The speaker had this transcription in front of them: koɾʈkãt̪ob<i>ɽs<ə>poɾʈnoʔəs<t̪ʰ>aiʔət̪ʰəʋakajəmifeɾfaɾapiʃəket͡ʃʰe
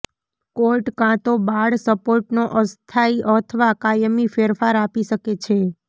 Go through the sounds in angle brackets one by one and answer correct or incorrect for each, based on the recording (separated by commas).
incorrect, correct, correct